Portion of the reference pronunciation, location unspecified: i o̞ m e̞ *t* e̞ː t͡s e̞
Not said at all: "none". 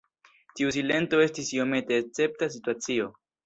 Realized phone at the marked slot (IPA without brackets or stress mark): t